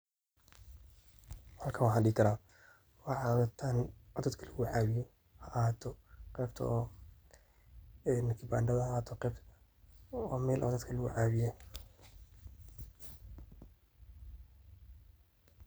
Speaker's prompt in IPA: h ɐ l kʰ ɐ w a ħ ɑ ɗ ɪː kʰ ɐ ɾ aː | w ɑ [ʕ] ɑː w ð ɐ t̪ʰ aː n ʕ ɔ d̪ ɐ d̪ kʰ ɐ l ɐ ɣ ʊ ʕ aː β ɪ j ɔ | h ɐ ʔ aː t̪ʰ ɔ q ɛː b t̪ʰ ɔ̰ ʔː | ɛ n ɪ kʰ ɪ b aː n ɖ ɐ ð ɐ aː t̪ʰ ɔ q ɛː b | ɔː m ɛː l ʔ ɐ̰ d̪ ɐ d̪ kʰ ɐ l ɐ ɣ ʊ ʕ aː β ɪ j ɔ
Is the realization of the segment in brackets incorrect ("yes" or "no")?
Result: no